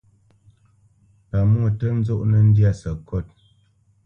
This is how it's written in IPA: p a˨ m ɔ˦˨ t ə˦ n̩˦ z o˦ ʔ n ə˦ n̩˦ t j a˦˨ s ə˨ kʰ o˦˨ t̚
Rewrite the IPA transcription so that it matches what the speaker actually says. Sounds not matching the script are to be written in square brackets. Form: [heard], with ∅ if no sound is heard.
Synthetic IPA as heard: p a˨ m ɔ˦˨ t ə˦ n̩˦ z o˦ ʔ n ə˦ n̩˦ [d] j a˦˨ s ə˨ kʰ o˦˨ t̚